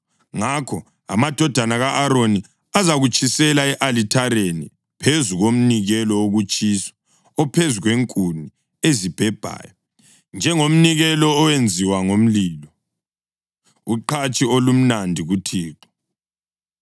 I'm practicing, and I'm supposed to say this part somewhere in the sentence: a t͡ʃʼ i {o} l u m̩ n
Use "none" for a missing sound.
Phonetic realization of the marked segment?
o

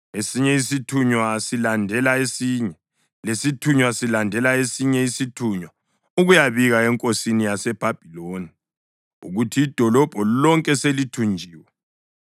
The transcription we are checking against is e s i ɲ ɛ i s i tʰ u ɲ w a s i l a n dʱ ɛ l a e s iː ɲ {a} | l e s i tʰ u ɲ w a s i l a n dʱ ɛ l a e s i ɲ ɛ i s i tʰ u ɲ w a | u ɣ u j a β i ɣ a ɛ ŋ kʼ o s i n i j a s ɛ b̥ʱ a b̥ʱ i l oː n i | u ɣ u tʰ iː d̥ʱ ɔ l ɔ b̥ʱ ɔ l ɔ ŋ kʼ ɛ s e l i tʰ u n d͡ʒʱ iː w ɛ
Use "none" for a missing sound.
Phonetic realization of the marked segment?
ɛ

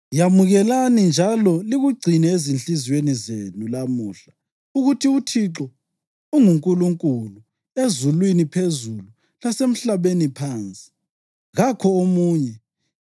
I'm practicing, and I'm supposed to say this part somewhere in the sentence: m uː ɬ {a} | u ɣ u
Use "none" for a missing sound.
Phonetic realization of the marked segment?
a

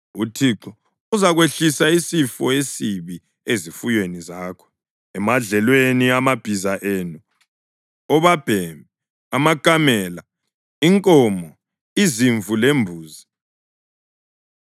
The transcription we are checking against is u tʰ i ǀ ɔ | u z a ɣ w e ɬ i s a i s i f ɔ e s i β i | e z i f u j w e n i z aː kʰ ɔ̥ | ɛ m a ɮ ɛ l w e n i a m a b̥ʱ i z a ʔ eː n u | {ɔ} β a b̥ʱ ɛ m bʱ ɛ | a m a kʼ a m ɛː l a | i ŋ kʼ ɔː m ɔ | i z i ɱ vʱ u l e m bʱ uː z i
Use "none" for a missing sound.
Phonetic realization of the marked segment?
ɔ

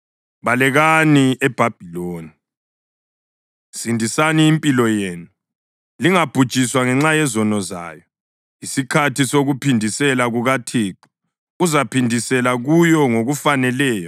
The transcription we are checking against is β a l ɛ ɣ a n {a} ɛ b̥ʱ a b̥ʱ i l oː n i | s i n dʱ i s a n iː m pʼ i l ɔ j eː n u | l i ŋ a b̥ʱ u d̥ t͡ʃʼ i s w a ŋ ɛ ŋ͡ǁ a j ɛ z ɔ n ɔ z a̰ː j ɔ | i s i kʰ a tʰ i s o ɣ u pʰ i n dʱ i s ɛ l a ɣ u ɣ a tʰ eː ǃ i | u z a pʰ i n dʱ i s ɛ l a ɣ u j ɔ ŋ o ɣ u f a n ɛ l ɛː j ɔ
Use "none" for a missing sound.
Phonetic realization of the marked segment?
i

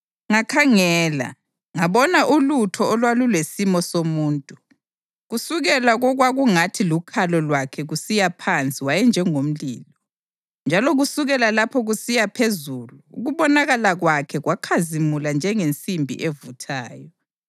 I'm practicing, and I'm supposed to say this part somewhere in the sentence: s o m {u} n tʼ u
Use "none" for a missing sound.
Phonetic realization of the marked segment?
uː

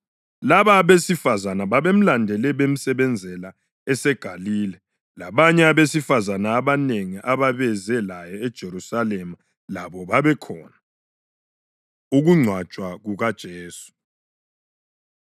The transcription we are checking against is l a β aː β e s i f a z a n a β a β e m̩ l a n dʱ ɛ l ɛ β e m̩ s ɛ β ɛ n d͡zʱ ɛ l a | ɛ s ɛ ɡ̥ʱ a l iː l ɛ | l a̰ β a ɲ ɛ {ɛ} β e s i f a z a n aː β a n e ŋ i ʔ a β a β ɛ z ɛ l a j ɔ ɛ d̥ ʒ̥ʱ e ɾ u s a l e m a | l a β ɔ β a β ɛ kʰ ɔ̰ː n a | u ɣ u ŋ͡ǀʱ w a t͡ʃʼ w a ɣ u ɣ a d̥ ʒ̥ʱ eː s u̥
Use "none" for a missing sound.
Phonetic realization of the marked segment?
a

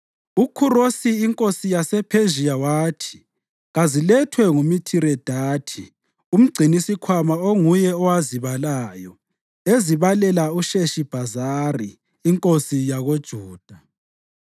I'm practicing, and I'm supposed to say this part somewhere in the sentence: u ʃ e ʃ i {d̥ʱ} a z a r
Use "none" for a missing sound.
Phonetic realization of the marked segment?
b̥ʱ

